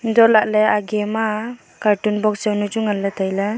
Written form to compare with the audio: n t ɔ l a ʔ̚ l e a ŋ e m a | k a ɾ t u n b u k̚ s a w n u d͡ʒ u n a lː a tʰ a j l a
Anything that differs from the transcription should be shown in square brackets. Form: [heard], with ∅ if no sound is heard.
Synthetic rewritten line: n [d] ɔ l a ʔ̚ l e a [ɡ] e m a | k a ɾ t u n b [ɔ] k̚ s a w n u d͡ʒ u [ŋ] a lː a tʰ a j l a

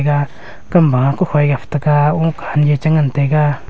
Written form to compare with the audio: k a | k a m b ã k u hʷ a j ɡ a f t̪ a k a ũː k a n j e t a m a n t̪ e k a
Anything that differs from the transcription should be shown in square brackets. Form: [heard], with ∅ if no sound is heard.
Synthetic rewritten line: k a | k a m b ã k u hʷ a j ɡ a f t̪ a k a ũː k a n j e [t͡ʃ] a [ŋ] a n t̪ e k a

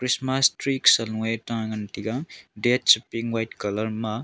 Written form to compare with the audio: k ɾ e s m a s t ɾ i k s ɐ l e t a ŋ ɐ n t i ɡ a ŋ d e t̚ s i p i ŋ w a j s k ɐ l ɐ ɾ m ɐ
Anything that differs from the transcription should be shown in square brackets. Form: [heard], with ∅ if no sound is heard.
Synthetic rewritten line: k ɾ [i] s m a s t ɾ i k s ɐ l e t a ŋ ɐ n t i ɡ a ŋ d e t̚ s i p i ŋ w a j [t] k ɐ l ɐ ɾ m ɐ

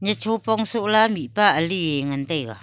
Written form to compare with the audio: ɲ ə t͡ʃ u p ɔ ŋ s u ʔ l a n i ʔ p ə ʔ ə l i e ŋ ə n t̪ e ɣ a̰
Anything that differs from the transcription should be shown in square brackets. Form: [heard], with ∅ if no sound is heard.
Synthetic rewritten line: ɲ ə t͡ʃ u p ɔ ŋ s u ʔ l a [m] i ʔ p [a] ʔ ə l i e ŋ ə n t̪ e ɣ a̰

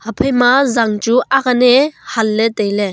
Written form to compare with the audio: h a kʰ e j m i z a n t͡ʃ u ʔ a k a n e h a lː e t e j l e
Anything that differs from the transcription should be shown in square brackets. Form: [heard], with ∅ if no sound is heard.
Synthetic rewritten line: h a [pʰ] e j m [a] z a [ŋ] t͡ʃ u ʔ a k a n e h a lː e t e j l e

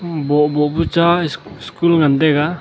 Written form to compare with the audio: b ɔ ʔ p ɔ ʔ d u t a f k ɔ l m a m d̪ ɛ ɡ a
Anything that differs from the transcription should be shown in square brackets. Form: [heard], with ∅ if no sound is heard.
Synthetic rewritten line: b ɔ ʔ [b] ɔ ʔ [b] u [t͡ʃ] a [s] k [u] l [ŋ] a [n] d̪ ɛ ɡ a

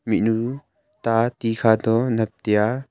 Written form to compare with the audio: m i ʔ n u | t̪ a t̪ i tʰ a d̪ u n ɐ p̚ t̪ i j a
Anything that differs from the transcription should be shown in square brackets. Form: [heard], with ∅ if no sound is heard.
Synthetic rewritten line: m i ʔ n u | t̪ a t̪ i [kʰ] a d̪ [ɔ] n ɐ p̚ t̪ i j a

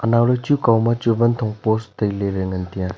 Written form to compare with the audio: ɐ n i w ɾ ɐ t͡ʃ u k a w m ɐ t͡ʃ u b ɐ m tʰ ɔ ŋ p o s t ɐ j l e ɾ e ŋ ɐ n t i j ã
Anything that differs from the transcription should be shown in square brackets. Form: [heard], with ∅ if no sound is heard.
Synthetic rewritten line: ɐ n [a] w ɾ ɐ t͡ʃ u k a w m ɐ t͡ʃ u b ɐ [n] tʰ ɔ ŋ p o s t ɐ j l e ɾ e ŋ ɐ n t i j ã

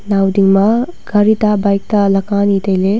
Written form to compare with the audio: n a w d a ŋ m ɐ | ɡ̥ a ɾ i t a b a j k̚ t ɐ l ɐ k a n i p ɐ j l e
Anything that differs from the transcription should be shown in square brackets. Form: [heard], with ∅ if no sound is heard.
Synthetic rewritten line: n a w d [i] ŋ m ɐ | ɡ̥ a ɾ i t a b a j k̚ t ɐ l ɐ k a n i [t] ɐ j l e

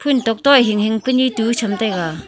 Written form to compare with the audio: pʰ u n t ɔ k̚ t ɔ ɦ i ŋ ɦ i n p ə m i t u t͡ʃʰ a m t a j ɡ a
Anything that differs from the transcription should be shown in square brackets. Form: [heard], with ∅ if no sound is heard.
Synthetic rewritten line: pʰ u n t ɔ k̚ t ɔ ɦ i ŋ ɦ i [ŋ] p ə [n] i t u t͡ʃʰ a m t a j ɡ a

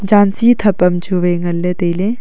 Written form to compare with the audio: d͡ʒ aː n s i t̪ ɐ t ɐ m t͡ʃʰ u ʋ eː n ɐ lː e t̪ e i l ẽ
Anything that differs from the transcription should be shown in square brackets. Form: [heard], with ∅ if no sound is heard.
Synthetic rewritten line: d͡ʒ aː n s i [t̪ʰ] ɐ [p] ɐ m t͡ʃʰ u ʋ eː [ŋ] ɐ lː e t̪ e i l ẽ

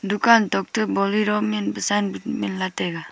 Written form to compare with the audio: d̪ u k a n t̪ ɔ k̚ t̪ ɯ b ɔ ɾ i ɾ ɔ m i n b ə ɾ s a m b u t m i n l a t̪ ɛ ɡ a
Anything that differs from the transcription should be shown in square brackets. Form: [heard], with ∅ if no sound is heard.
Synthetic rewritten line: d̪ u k a n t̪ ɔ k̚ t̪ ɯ b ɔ [l] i ɾ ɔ m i n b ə [∅] s a [n] b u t m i n l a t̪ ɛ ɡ a

